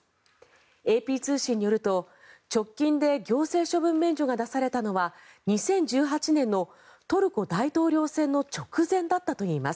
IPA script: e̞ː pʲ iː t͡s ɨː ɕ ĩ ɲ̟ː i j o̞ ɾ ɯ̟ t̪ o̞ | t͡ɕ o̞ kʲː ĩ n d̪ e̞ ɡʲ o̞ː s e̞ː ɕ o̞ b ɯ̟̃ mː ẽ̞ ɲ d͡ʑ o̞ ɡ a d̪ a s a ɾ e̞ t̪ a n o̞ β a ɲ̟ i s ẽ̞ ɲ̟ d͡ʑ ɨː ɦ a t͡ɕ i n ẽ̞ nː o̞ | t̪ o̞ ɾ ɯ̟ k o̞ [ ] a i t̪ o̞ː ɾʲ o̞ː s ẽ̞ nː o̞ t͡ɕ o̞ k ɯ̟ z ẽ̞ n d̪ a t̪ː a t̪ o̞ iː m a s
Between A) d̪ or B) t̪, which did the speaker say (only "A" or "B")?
A